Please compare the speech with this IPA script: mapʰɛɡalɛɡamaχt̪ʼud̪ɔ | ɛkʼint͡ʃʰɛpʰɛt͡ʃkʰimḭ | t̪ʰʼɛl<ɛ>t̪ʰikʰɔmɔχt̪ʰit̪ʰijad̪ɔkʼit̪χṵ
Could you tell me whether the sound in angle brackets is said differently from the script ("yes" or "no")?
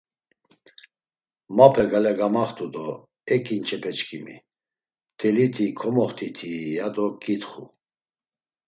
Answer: yes